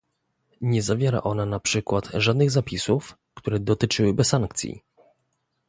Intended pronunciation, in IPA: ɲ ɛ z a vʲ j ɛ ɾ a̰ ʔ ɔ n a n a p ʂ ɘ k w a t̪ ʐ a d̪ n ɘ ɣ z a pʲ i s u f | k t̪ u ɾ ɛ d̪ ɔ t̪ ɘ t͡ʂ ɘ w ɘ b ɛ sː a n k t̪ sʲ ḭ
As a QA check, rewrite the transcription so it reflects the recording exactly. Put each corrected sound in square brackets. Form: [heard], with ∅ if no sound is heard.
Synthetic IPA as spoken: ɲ ɛ z a vʲ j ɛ ɾ a̰ ʔ ɔ n a n a p ʂ ɘ k w a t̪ ʐ a d̪ n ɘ ɣ z a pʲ i s u f | k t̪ u ɾ ɛ d̪ ɔ t̪ ɘ t͡ʂ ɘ w ɘ b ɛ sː a [ŋ] k t̪ sʲ ḭ